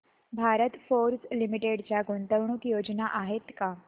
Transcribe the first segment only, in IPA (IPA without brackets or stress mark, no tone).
bʱ